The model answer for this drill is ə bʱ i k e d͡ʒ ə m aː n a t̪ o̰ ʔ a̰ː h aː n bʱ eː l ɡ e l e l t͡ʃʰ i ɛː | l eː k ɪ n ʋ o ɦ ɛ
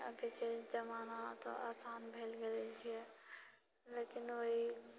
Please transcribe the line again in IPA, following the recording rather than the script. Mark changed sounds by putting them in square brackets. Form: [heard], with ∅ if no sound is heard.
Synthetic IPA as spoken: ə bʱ i k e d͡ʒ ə m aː n a t̪ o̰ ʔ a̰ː [s] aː n bʱ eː l ɡ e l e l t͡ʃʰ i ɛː | l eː k ɪ n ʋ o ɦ [i]